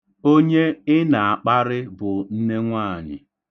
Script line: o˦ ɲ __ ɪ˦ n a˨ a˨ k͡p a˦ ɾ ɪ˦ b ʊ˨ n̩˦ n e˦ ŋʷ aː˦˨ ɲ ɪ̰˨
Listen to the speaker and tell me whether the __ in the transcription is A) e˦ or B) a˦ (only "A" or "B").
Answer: A